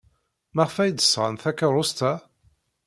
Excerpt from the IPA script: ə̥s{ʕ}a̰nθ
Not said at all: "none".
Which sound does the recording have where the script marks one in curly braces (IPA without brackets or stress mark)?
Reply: ʁ